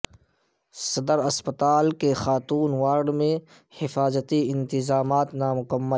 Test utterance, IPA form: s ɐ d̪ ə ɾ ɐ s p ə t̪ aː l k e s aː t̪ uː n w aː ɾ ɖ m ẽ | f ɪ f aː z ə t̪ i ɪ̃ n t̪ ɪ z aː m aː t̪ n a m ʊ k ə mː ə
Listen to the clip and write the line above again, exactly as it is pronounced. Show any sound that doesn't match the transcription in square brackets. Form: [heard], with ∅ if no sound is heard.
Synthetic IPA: s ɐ d̪ ə ɾ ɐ s p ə t̪ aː l k e [x] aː t̪ uː n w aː ɾ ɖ m ẽ | [h] ɪ f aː z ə t̪ i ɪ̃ n t̪ ɪ z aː m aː t̪ n a m ʊ k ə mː ə